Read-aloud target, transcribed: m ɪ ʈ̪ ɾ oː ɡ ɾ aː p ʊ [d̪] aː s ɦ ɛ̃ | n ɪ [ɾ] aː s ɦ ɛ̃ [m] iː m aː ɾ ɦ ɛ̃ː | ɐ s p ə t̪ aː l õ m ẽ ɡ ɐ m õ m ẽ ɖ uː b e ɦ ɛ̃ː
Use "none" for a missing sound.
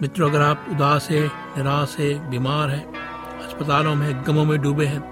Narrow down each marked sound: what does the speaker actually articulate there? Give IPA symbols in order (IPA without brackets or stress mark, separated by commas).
d̪, ɾ, b